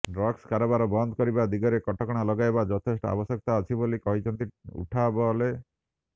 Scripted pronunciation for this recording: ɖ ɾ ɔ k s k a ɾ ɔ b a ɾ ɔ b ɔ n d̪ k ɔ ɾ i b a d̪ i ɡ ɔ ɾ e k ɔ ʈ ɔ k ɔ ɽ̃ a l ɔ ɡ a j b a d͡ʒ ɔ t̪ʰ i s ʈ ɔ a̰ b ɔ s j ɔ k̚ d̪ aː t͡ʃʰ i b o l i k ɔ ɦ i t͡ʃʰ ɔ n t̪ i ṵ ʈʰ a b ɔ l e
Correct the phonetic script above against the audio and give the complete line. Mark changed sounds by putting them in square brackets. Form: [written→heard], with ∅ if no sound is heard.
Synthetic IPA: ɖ ɾ ɔ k s k a ɾ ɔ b a ɾ ɔ b ɔ n d̪ k ɔ ɾ i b a d̪ i ɡ ɔ ɾ e k ɔ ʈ ɔ k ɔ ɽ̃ a l ɔ ɡ a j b a d͡ʒ ɔ t̪ʰ [i→e] s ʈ ɔ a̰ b ɔ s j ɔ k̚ [d̪→t̪] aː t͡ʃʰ i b o l i k ɔ ɦ i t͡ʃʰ ɔ n t̪ i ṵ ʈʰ a b ɔ l e